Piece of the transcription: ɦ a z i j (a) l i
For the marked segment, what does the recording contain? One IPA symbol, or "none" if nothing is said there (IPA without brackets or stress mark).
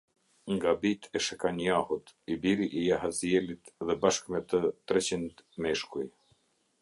ɛ